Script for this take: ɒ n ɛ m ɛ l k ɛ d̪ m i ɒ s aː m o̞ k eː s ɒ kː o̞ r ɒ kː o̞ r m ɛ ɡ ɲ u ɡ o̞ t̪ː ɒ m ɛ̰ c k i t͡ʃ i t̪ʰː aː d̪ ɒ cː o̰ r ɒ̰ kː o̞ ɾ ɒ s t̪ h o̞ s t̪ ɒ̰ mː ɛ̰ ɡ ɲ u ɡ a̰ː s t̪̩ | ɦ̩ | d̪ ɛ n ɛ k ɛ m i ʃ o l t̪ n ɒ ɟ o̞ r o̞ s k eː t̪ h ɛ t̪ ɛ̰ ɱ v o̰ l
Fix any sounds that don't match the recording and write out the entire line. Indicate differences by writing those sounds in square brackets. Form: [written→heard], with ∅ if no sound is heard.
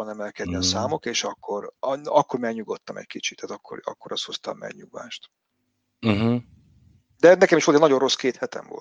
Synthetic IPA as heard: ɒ n ɛ m ɛ l k ɛ d̪ [m→n] i ɒ s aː m o̞ k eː [s→ʃ] ɒ kː o̞ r ɒ kː o̞ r m ɛ ɡ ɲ u ɡ o̞ t̪ː ɒ m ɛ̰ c k i t͡ʃ i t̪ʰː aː [d̪→t̪] ɒ [cː→kː] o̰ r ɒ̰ kː o̞ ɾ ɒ s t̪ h o̞ s t̪ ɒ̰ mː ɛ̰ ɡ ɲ u ɡ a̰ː [s→ʃ] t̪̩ | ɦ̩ | d̪ ɛ n ɛ k ɛ m i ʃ o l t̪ n ɒ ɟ o̞ r o̞ s k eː t̪ h ɛ t̪ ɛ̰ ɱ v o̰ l